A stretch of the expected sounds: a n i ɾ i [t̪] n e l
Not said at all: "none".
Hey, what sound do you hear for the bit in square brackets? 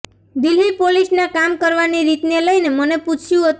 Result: t̪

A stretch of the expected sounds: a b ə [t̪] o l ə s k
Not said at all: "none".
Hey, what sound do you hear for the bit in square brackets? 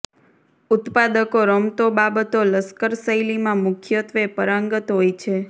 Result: t̪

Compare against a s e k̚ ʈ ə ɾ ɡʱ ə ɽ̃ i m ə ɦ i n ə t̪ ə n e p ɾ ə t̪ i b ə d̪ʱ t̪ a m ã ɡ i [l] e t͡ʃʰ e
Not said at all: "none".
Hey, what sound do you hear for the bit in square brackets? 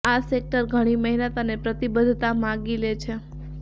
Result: l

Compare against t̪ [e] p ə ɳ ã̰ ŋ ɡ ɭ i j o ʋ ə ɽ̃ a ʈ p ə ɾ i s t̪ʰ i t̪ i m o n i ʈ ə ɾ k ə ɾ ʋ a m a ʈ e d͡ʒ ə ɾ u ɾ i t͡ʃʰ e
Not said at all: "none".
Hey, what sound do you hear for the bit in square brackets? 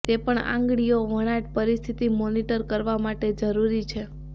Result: e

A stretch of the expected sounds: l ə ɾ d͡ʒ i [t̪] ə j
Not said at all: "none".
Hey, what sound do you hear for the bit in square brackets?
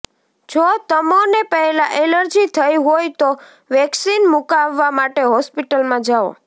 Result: t̪ʰ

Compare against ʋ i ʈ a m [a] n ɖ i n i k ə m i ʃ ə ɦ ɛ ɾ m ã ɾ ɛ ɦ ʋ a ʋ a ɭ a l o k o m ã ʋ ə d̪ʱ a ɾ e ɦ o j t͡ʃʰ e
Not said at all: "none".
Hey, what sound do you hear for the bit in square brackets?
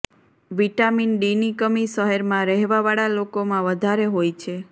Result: i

